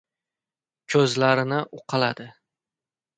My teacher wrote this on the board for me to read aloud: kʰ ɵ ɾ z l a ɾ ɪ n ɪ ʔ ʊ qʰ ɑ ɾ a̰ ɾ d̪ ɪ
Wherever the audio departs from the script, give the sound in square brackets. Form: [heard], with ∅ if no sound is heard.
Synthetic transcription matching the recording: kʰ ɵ [∅] z l a ɾ ɪ n ɪ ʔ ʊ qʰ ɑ [l] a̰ [∅] d̪ ɪ